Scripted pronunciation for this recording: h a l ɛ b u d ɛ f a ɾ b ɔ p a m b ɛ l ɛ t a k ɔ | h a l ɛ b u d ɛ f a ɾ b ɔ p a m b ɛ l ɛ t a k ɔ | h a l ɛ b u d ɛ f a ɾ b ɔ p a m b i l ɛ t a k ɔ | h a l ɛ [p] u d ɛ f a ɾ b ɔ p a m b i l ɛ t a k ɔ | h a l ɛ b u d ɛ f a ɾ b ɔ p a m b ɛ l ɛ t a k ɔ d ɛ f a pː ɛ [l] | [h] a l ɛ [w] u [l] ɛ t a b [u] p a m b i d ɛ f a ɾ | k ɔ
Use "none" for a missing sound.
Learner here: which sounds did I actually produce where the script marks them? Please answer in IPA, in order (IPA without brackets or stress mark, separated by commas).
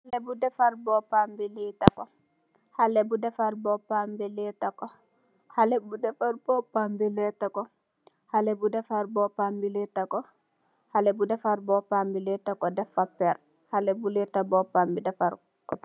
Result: b, ɾ, h, b, l, ɔ